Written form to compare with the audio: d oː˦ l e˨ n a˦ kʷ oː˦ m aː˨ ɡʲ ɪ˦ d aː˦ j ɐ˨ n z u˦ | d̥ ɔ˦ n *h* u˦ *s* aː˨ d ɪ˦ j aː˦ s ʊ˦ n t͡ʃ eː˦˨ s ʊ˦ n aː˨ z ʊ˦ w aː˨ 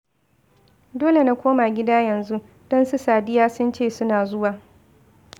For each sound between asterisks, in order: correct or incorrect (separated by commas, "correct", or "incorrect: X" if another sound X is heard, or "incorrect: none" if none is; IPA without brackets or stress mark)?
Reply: incorrect: s, correct